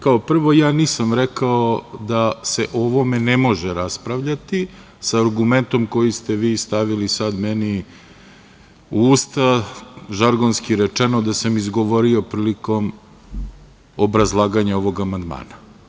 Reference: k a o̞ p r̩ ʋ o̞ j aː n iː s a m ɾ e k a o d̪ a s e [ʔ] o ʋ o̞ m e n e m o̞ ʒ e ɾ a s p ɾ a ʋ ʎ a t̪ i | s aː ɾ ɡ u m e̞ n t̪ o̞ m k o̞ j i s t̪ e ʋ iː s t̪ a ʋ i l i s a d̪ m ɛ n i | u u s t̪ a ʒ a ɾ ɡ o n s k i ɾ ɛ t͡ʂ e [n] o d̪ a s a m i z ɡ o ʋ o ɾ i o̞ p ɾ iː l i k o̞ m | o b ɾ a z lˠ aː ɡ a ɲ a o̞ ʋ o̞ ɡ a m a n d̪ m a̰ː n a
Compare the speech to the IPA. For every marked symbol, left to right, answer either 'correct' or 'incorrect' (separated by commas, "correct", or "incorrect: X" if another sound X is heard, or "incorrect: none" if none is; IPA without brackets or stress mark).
correct, correct